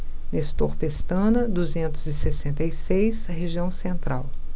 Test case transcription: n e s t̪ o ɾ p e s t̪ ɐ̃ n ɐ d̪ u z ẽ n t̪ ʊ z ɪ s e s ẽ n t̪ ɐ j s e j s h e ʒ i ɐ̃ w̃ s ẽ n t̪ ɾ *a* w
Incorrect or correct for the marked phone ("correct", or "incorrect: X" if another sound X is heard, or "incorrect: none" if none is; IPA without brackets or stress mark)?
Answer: correct